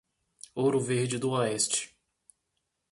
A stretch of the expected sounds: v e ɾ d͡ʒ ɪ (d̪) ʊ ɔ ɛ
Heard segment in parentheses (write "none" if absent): d̪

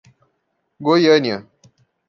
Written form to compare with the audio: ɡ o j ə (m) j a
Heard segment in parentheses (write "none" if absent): n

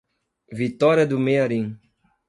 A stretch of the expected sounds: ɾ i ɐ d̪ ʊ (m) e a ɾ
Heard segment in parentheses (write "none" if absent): m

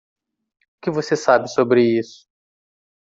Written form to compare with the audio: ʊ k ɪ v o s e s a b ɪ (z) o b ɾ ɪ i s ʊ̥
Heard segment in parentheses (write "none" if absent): s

